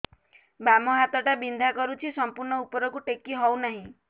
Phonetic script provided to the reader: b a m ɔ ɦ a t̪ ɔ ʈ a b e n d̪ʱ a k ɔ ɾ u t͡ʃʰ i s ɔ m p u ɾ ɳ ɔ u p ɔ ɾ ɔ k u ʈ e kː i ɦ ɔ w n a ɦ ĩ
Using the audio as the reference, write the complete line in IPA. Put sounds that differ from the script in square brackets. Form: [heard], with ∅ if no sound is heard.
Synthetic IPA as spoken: b a m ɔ ɦ a t̪ ɔ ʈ a b [i] n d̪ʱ a k ɔ ɾ u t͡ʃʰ i s ɔ m p u ɾ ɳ ɔ u p ɔ ɾ ɔ k u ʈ e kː i ɦ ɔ w n a ɦ ĩ